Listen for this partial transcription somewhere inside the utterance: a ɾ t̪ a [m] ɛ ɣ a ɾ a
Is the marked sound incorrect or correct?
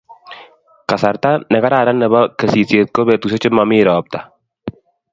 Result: incorrect